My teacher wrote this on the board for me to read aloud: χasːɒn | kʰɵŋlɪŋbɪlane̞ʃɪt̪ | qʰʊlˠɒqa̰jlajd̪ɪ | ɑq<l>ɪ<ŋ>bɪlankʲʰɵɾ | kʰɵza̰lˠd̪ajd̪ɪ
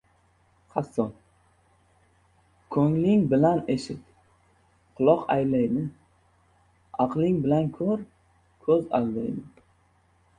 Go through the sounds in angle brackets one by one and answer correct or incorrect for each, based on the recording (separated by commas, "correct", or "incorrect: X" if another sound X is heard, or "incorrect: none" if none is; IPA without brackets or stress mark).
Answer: correct, correct